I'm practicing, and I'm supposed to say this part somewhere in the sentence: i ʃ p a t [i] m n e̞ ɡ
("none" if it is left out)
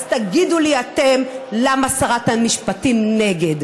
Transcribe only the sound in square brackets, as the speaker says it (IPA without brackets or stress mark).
i